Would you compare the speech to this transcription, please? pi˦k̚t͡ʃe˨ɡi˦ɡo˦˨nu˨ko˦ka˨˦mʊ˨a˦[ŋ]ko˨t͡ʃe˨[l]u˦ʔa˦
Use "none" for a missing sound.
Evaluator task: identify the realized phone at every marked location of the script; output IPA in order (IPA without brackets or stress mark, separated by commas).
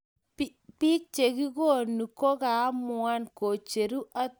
n, ɾ